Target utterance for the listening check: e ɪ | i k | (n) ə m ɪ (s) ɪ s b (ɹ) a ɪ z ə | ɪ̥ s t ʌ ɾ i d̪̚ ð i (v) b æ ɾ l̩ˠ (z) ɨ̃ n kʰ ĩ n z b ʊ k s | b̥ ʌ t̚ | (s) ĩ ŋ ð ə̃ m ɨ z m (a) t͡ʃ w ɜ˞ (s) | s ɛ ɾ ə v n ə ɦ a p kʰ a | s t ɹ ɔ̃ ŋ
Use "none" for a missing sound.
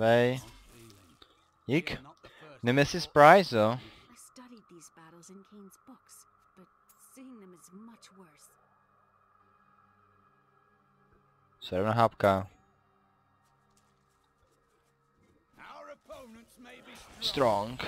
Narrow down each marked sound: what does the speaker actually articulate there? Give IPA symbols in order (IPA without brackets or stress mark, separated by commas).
n, s, ɹ, z, z, s, ʌ, s